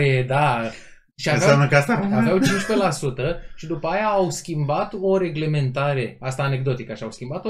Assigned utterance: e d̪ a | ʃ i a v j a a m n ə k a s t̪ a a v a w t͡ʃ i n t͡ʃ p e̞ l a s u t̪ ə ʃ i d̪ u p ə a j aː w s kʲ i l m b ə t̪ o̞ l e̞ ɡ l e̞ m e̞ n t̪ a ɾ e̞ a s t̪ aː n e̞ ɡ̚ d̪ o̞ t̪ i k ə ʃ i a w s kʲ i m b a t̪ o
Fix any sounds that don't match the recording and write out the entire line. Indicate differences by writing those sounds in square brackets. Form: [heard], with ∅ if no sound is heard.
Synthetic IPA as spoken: e d̪ a | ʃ i a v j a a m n ə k a s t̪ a a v a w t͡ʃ i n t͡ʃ p e̞ l a s u t̪ ə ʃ i d̪ u p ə a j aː w s kʲ i [∅] m b [a] t̪ o̞ [ɾ] e̞ ɡ l e̞ m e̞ n t̪ a ɾ e̞ a s t̪ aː n e̞ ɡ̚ d̪ o̞ t̪ i k ə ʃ i a w s kʲ i m b a t̪ o